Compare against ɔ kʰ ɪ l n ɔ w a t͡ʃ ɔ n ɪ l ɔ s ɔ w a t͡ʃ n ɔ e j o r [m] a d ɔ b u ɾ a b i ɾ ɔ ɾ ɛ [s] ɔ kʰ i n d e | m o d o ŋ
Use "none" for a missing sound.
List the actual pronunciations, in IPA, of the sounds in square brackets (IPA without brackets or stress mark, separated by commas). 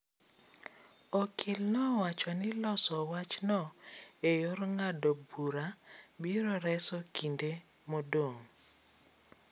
ŋ, s